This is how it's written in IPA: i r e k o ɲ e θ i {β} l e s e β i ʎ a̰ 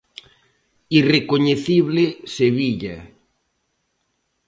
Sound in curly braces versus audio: correct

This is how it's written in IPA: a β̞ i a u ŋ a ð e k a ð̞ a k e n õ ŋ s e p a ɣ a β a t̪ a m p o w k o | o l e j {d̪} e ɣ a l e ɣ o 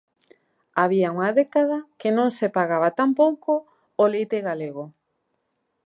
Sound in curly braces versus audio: incorrect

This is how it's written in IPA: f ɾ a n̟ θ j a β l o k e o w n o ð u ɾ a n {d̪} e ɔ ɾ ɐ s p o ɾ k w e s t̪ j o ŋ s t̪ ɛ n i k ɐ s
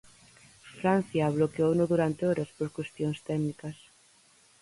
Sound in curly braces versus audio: incorrect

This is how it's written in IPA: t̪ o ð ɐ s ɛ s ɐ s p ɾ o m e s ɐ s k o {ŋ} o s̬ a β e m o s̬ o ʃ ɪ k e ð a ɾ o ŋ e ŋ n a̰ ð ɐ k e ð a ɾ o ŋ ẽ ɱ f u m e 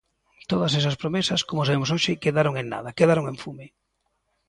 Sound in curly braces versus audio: incorrect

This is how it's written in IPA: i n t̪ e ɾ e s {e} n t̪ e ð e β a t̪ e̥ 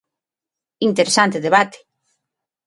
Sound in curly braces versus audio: incorrect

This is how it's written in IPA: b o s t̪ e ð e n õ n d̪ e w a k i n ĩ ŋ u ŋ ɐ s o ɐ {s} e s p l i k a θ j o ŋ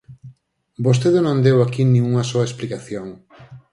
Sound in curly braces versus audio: incorrect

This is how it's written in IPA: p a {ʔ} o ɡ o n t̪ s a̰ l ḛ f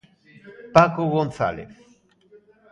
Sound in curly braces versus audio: incorrect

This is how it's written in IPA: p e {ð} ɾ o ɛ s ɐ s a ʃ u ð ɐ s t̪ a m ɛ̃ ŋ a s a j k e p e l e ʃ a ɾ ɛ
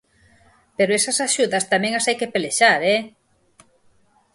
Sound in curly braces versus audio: incorrect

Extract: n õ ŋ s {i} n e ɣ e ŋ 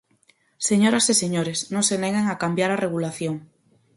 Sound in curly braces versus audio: incorrect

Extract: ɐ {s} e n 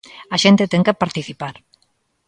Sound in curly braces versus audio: incorrect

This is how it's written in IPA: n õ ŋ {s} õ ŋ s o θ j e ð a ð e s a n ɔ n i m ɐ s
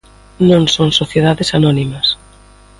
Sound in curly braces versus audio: correct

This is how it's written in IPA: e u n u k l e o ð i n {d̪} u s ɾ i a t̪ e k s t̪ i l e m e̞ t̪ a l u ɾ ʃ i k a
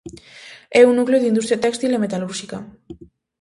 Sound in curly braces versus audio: correct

